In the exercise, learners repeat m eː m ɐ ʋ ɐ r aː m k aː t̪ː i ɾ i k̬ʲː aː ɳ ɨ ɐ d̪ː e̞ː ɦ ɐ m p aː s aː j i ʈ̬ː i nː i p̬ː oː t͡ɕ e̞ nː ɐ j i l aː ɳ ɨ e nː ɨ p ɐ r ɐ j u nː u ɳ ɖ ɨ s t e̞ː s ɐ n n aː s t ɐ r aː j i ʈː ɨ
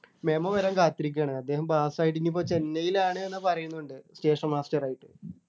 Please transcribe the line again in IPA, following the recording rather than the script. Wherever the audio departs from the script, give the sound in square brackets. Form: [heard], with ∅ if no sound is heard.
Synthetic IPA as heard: m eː m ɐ ʋ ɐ [ɾ] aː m k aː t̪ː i ɾ i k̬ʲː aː ɳ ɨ ɐ d̪ː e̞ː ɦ ɐ m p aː s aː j i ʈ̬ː i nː i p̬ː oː t͡ɕ e̞ nː ɐ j i l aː ɳ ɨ e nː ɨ p ɐ r ɐ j u nː u ɳ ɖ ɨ s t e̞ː [ʂ] ɐ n [m] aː s t ɐ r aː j i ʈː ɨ

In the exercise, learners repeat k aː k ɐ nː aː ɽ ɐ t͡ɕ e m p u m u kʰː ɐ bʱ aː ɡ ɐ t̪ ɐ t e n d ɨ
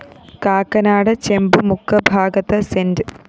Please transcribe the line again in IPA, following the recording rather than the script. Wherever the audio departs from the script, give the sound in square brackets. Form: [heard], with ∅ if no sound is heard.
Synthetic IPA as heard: k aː k ɐ [n] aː ɽ ɐ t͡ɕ e m [b] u m u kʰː ɐ bʱ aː ɡ ɐ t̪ ɐ [s] e n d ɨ

